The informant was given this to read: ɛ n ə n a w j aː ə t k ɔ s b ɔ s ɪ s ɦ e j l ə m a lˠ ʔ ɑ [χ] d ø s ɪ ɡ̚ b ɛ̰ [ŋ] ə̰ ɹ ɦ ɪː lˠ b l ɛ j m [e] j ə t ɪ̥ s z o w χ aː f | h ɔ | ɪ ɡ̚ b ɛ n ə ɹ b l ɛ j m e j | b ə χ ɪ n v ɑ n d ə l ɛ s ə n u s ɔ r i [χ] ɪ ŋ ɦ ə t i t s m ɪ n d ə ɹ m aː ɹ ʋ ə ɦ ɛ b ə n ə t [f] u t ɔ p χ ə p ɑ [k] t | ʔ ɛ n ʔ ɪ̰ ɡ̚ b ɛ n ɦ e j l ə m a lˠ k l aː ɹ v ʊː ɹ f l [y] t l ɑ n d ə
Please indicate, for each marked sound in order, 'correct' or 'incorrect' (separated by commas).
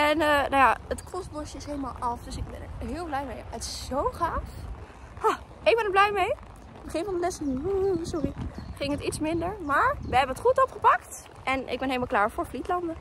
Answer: incorrect, incorrect, correct, correct, incorrect, correct, incorrect